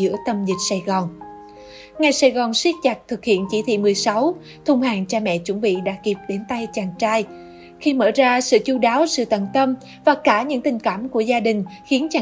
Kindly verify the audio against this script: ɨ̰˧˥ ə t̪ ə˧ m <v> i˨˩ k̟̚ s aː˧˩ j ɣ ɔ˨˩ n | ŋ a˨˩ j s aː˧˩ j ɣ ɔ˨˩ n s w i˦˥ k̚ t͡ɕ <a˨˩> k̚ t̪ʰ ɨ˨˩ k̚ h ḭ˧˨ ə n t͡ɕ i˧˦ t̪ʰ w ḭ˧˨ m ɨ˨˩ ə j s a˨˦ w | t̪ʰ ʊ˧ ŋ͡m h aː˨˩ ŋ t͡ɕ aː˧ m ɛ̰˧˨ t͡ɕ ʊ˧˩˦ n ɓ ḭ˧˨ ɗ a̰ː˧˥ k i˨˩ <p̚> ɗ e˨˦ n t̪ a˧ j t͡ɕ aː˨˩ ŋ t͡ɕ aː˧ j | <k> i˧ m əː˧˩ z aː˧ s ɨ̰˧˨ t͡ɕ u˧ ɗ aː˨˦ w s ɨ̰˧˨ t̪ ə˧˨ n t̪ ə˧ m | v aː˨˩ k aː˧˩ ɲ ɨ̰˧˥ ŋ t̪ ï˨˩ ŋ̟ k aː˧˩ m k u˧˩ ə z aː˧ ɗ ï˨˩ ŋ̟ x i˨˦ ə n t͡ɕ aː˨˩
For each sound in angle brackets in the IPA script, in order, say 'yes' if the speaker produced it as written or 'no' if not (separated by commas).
no, yes, yes, no